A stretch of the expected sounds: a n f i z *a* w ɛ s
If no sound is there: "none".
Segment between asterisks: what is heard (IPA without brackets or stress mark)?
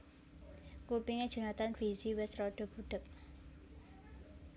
i